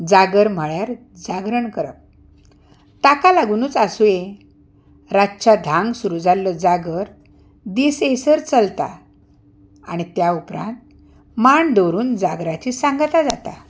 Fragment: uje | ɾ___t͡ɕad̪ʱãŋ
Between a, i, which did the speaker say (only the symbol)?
a